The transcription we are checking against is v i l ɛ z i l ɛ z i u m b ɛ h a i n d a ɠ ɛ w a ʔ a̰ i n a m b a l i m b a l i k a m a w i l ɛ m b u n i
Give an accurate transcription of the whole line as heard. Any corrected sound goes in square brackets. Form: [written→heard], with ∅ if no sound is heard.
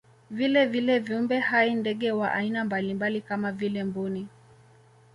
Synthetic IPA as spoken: v i l ɛ [z→v] i l ɛ [z→v] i u m b ɛ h a i n d [a→ɛ] ɠ ɛ w a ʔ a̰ i n a m b a l i m b a l i k a m a [w→v] i l ɛ m b u n i